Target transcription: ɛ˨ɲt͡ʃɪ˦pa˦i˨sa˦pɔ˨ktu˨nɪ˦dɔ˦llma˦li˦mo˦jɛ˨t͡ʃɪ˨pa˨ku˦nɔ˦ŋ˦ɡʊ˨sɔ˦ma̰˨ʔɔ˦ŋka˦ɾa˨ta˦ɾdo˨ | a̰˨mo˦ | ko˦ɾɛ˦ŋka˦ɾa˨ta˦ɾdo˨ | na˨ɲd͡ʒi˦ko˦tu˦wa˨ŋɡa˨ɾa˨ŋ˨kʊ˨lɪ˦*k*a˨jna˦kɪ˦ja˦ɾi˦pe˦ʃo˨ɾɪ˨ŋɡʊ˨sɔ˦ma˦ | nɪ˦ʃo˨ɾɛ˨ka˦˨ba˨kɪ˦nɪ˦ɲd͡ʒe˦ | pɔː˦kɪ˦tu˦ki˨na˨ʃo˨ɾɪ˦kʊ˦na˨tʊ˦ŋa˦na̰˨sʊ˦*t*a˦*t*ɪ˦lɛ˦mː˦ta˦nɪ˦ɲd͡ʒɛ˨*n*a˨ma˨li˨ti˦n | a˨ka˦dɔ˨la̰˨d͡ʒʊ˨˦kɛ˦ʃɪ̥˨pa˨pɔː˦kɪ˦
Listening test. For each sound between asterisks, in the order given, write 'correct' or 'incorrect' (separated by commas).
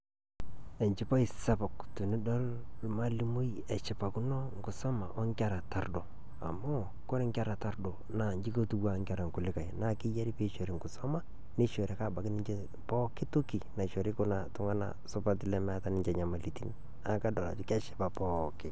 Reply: correct, incorrect, correct, incorrect